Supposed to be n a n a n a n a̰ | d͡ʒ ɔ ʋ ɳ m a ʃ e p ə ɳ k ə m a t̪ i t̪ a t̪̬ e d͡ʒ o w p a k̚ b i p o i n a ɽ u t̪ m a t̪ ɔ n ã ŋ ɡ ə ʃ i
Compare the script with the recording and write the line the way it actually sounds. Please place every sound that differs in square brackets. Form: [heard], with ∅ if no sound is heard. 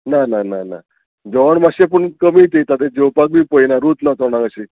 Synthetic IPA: n a n a n a n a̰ | d͡ʒ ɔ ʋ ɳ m a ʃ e p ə ɳ k ə m [i] t̪ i t̪ a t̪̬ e d͡ʒ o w p a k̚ b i p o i n a [ɾ] u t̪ [n] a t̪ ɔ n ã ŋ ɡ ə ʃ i